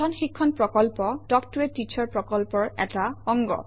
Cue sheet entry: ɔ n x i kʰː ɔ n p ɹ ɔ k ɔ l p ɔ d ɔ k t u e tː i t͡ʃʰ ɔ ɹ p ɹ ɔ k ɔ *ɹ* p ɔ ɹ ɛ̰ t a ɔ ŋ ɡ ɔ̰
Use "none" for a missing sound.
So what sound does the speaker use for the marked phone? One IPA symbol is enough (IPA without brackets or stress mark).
l